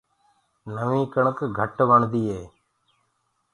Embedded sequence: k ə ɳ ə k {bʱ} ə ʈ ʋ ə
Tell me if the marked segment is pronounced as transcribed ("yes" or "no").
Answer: no